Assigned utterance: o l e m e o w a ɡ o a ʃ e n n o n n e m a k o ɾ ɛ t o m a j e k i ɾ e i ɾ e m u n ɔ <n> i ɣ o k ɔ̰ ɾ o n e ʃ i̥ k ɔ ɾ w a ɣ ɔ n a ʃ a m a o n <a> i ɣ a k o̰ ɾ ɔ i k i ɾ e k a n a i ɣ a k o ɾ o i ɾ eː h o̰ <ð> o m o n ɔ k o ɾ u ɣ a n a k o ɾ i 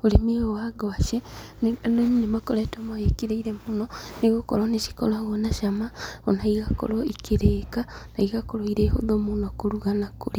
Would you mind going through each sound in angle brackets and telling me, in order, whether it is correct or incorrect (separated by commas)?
correct, correct, correct